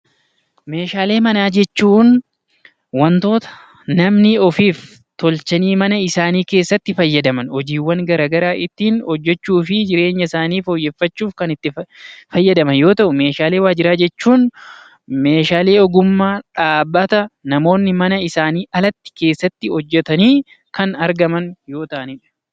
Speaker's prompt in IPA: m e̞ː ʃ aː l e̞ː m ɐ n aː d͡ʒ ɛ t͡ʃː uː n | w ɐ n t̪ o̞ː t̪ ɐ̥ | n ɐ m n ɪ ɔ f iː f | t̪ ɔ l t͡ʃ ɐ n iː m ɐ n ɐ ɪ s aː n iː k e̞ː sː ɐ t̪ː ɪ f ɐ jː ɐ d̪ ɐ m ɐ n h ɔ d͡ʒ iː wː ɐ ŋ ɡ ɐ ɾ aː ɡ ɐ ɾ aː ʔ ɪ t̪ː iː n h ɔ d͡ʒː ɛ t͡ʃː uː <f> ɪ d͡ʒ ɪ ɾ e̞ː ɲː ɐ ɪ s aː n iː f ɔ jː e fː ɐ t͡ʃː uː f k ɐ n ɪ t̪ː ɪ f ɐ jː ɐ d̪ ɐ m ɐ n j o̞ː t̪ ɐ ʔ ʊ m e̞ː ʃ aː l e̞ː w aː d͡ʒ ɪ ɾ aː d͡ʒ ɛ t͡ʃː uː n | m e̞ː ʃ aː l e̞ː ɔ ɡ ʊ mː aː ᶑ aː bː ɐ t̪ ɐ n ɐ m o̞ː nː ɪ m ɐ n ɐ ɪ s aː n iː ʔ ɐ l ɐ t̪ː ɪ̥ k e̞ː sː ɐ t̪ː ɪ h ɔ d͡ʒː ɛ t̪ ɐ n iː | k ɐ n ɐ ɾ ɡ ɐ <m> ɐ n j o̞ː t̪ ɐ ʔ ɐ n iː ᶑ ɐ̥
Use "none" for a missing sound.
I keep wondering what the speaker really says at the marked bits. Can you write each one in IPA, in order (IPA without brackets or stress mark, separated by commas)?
f, m